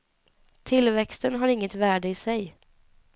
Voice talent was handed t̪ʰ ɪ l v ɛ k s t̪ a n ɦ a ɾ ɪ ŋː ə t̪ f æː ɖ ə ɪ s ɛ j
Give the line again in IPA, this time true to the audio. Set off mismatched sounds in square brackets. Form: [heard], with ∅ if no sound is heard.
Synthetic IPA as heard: t̪ʰ ɪ l v ɛ k s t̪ [ə] n ɦ a ɾ ɪ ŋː ə t̪ [v] æː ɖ ə ɪ s ɛ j